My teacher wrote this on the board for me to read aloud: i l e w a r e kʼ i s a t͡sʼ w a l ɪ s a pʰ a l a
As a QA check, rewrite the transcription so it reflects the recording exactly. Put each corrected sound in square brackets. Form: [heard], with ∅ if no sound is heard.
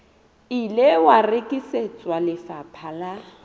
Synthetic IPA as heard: i l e w a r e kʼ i s [e] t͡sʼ w a l ɪ [f] a pʰ a l a